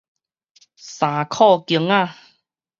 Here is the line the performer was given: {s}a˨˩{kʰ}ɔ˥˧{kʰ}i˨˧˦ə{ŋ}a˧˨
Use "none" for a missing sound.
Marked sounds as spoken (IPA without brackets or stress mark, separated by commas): s, kʰ, k, ŋ